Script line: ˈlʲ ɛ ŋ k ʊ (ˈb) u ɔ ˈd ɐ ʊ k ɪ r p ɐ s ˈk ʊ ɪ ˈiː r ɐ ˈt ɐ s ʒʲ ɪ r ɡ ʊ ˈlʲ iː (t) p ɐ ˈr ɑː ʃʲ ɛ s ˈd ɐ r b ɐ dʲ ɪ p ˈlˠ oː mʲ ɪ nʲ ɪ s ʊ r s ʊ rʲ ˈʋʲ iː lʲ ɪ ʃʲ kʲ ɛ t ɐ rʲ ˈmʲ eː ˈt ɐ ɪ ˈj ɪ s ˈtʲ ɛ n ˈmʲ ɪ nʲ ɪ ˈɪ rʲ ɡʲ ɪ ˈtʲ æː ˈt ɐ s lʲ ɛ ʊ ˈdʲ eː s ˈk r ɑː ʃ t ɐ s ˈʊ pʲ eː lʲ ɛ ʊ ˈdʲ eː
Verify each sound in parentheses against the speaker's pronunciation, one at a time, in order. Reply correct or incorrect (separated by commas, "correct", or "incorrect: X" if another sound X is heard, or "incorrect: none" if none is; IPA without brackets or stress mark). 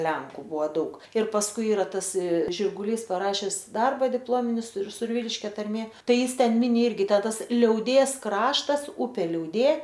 correct, incorrect: s